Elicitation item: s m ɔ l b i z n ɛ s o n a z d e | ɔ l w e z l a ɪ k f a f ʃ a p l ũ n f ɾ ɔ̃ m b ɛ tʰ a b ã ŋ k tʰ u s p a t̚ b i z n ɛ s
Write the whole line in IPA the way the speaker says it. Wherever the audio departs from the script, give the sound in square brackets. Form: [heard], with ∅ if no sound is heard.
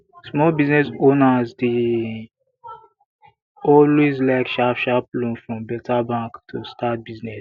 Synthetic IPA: s m ɔ l b i z n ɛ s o n a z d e | ɔ l w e z l a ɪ k [ʃ] a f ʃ a p l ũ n f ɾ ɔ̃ m b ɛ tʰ a b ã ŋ k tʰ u s [t] a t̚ b i z n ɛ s